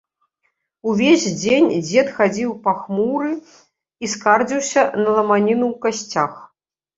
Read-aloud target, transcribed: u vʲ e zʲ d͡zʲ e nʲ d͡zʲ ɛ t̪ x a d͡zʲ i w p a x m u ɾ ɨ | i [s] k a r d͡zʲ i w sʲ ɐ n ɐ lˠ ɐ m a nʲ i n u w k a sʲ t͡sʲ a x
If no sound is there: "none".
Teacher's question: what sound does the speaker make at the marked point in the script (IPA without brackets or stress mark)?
s